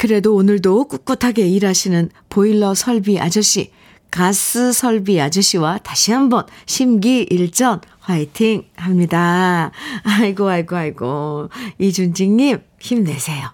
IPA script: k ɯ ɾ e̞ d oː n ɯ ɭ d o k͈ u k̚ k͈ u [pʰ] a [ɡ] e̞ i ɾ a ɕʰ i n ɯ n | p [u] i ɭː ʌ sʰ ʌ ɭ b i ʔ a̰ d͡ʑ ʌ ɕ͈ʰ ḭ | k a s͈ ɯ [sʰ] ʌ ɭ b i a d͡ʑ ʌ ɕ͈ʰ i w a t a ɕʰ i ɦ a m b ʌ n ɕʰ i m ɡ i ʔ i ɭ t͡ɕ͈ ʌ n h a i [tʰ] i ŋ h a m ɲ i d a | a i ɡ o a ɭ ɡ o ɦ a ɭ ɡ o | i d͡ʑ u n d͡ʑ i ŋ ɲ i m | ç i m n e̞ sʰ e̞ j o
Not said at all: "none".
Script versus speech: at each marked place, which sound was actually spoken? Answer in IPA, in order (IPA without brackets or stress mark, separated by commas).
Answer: tʰ, ɡ, o, sʰ, tʰ